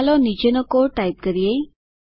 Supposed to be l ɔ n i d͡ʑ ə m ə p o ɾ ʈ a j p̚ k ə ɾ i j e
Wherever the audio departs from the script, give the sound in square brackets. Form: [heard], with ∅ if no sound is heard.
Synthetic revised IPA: l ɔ n i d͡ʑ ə [n] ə [k] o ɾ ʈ a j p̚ k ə ɾ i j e